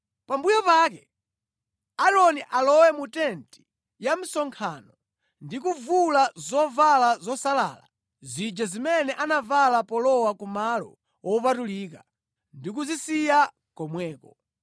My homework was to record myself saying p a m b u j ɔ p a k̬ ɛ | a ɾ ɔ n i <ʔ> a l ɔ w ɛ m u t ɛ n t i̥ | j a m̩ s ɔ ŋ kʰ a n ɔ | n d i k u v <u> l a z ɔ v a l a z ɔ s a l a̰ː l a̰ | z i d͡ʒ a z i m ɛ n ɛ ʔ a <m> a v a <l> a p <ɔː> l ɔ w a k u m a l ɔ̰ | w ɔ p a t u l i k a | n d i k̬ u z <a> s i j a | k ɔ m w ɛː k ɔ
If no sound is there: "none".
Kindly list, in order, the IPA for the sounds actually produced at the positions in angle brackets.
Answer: ʔ, u, n, l, ɔ, i

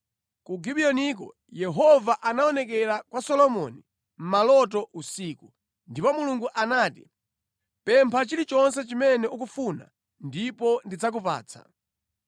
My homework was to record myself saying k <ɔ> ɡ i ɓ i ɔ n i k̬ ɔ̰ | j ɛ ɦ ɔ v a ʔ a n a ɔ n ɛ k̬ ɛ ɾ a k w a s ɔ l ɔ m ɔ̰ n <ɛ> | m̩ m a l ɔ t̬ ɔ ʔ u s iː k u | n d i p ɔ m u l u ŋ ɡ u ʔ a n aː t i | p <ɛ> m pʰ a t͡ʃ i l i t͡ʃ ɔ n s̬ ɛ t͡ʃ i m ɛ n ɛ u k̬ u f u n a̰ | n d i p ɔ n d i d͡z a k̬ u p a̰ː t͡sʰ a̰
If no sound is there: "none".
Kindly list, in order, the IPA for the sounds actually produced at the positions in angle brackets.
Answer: u, i, ɛ

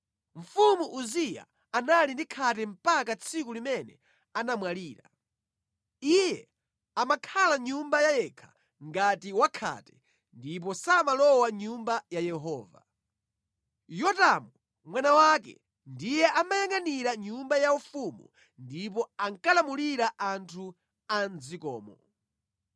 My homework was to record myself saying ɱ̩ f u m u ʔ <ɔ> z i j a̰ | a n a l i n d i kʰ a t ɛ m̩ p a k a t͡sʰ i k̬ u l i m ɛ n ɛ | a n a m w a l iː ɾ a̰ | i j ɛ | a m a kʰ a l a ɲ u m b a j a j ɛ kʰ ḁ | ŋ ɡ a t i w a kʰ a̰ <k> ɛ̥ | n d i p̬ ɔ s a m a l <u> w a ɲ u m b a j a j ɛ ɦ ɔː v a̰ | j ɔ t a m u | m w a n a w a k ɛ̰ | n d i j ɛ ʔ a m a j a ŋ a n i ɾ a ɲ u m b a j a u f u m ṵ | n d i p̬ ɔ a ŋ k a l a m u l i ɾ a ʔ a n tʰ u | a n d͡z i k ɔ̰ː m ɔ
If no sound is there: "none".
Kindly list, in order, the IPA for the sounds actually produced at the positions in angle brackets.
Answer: u, t, ɔ

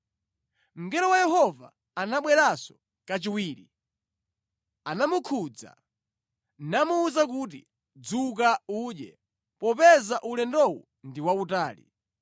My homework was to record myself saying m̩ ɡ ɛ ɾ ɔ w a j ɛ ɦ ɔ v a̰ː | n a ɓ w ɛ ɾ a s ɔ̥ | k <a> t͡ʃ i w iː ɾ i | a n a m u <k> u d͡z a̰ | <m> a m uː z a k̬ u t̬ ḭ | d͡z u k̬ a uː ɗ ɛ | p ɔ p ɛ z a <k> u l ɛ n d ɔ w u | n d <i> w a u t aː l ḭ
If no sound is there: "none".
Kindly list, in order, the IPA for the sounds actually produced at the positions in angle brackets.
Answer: a, kʰ, n, ʔ, i

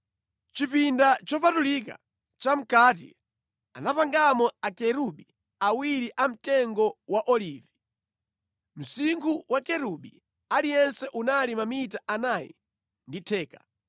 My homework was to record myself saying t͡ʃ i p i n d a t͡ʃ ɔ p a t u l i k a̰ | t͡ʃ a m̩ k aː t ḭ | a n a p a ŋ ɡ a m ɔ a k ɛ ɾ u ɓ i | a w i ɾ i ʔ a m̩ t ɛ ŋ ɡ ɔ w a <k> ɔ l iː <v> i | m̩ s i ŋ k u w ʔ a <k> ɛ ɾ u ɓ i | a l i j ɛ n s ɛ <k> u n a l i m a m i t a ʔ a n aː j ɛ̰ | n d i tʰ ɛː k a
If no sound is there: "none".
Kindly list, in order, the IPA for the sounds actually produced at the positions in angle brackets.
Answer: ʔ, v, k, ʔ

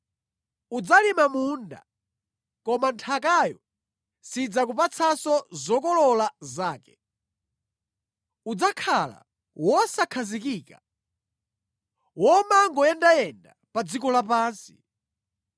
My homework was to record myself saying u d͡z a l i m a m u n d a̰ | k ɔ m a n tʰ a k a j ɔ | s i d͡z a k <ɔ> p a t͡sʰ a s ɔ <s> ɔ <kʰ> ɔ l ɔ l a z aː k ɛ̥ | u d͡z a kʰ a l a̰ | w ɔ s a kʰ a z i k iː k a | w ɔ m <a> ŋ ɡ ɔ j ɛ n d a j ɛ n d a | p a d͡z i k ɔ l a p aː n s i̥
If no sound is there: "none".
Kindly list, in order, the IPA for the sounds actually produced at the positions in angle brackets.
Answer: u, z, k, a

